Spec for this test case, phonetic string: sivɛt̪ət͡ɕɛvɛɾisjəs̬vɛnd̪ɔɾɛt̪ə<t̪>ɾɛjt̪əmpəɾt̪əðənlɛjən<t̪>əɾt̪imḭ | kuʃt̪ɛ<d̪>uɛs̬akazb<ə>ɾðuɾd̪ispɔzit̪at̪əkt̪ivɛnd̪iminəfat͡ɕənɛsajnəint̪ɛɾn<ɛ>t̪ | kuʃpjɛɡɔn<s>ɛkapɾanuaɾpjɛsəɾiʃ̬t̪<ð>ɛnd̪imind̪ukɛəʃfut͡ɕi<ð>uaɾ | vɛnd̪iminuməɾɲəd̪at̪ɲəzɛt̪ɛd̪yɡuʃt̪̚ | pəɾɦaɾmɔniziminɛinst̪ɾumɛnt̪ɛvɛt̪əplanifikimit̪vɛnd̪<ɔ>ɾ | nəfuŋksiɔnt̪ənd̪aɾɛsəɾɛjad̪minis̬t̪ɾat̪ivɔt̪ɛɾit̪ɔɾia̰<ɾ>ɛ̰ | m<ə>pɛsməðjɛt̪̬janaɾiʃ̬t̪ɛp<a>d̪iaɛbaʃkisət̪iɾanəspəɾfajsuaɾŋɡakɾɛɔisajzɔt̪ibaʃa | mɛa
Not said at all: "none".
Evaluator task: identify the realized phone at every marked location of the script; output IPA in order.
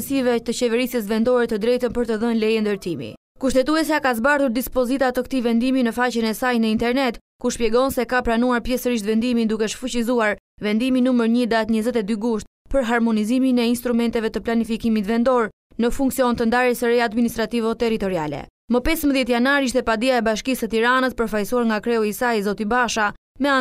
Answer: d̪, d̪, t̪, a, ɛ, s, v, z, ɔ, l, ə, a

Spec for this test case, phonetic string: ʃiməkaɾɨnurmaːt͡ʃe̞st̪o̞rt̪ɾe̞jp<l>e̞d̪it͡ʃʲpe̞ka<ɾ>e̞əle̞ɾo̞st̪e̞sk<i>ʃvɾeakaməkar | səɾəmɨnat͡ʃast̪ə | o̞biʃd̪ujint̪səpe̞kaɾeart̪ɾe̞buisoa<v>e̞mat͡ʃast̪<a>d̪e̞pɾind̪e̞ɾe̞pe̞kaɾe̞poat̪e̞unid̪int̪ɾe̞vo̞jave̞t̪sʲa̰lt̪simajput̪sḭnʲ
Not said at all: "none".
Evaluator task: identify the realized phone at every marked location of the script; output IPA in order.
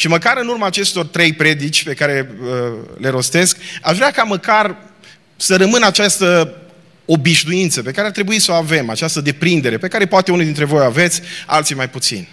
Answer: ɾ, ɾ, a, v, ə

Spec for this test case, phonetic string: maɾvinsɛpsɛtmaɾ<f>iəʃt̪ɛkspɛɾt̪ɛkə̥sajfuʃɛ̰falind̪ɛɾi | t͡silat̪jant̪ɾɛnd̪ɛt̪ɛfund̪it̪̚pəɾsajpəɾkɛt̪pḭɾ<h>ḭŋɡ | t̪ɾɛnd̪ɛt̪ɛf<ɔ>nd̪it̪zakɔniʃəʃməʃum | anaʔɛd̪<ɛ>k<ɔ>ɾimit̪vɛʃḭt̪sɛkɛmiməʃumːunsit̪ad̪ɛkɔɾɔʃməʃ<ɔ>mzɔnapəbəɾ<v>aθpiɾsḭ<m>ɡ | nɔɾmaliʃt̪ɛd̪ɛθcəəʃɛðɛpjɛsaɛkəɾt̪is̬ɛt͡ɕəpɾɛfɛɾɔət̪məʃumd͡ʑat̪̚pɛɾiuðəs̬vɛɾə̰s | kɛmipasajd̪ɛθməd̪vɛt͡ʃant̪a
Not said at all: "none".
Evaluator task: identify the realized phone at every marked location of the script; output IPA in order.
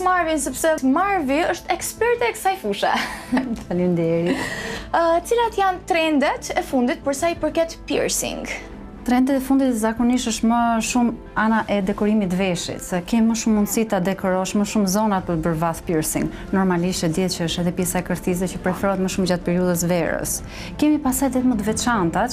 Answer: v, s, u, ɛ, ɔ, u, v, ŋ

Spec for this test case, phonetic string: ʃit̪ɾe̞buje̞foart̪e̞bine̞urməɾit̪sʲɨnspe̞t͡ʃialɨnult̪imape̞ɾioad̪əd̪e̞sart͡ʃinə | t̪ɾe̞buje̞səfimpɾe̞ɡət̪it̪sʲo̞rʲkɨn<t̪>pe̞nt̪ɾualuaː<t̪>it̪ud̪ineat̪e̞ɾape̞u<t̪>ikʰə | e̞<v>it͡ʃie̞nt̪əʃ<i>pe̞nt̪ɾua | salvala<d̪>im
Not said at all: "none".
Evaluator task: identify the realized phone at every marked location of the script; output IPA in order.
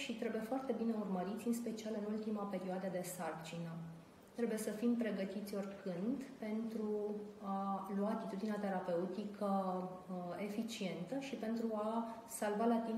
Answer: d̪, t̪, t̪, f, i, t̪

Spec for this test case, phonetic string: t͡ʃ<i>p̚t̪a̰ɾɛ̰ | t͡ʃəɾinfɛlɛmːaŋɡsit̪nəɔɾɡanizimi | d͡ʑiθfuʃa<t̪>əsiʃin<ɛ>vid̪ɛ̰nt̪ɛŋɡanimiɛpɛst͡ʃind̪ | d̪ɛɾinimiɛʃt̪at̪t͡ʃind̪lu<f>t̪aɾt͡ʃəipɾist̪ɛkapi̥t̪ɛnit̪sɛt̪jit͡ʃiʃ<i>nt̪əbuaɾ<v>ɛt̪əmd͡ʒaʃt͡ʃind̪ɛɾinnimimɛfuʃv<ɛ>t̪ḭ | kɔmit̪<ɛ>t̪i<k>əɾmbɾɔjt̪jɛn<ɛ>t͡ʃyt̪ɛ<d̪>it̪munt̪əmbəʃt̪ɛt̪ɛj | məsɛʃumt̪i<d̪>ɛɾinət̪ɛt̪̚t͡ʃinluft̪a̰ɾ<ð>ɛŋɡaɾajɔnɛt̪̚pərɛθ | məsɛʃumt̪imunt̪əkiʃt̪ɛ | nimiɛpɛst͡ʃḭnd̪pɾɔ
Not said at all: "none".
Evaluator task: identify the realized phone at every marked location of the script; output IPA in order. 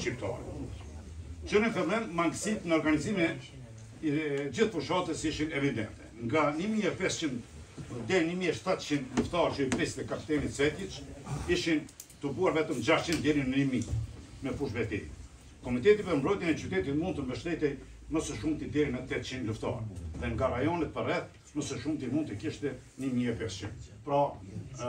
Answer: i, t̪, ɛ, f, i, v, ɛ, ɛ, p, ɛ, t̪, d̪, ð

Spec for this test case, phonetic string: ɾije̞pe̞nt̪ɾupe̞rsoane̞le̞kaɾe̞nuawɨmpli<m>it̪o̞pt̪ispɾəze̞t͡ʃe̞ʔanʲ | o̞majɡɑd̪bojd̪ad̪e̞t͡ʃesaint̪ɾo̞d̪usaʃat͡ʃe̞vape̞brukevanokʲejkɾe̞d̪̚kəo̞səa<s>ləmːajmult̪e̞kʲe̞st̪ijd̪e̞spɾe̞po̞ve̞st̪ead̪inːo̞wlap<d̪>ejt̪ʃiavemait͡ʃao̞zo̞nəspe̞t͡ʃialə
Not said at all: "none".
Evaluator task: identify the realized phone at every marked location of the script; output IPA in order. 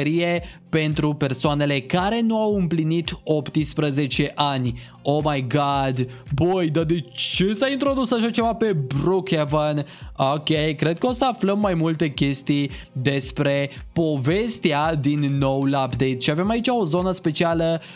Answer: n, f, d̪

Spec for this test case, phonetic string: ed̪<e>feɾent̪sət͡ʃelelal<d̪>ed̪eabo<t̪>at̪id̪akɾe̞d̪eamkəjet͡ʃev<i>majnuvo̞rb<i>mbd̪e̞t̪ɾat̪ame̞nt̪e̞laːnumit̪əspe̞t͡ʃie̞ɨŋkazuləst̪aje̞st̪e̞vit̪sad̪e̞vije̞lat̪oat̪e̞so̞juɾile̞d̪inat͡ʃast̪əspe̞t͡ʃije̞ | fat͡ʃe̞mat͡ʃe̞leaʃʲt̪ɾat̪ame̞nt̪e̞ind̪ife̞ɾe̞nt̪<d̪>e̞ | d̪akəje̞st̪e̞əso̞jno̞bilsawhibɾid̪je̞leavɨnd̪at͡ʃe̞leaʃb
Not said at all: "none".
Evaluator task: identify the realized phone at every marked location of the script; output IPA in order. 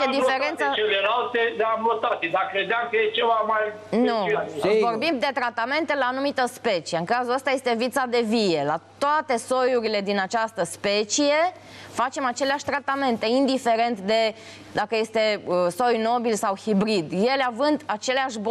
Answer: i, t̪, t̪, a, i, d̪

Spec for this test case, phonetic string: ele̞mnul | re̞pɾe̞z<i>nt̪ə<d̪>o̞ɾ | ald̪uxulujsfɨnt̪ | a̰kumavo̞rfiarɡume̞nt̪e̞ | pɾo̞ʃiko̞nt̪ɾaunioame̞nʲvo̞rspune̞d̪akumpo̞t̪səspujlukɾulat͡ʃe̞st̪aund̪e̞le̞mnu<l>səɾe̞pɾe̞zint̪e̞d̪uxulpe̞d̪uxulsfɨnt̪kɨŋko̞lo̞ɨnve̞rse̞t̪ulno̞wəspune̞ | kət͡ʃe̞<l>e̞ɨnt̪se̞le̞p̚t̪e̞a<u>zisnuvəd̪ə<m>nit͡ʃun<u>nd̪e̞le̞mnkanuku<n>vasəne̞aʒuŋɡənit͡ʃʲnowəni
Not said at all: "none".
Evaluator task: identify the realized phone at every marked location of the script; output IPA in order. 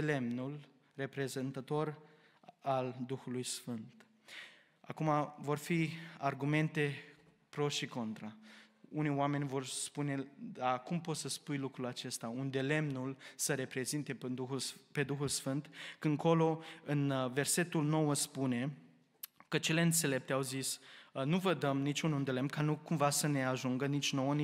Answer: e, t̪, l, l, w, m, u, m

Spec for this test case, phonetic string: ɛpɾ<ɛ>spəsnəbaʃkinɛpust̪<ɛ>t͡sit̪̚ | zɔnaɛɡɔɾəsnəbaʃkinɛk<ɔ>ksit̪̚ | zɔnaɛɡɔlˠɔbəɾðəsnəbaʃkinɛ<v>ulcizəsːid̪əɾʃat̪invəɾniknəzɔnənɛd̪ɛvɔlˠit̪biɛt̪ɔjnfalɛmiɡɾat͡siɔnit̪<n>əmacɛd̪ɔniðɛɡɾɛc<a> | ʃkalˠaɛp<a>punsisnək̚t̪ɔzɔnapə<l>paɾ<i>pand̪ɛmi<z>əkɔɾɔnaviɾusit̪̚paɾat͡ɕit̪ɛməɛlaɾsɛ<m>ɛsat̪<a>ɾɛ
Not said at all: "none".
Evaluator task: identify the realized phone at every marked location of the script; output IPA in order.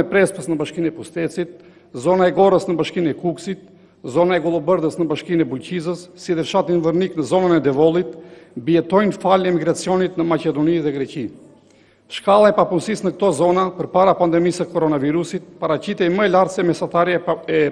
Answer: ɛ, ɛ, u, b, n, i, a, ɾ, a, s, m, a

